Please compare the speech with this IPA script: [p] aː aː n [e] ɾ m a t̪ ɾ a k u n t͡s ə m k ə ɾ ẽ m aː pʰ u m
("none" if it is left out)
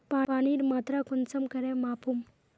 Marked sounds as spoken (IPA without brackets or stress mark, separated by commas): p, i